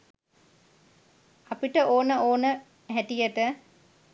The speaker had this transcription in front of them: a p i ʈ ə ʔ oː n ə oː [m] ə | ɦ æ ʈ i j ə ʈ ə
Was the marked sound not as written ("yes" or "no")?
yes